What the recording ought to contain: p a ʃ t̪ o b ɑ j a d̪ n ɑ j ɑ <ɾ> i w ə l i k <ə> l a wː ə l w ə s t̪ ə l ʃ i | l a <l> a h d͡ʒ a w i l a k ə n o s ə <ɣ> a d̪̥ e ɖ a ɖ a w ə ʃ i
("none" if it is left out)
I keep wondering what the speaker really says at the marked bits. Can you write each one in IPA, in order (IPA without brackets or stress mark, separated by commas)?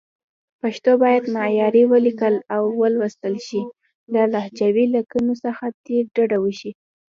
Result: ɾ, ə, l, x